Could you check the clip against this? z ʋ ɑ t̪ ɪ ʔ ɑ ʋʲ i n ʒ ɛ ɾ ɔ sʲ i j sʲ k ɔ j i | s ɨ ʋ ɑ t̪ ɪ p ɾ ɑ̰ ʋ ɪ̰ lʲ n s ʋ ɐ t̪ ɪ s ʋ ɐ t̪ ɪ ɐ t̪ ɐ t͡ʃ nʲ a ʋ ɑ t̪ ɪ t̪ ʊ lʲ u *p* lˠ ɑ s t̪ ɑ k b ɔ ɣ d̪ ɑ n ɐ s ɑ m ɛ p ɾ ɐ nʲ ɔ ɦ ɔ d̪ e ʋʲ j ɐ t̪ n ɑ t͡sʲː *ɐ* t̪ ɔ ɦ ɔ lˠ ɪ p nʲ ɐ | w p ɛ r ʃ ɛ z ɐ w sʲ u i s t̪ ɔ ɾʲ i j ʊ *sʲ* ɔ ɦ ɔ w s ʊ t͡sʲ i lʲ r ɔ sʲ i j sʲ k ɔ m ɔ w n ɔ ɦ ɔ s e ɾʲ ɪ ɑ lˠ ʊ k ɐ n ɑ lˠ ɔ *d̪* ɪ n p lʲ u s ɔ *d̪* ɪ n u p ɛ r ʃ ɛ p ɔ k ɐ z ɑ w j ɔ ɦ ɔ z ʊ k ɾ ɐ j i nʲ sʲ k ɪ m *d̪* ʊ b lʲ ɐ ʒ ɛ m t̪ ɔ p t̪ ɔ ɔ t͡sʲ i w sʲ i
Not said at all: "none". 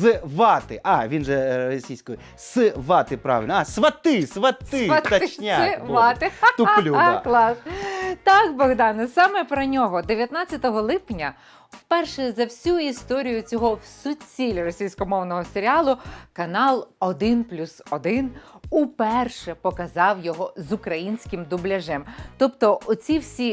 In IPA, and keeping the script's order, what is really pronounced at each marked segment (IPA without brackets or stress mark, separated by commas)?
k, ɐ, t͡sʲ, d̪, d̪, d̪